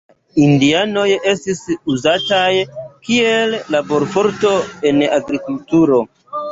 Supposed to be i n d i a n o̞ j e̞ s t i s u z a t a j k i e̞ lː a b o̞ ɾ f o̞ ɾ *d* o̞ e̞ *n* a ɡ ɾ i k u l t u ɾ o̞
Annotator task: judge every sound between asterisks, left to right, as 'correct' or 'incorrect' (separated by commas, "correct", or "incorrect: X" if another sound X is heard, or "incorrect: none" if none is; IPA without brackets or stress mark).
incorrect: t, correct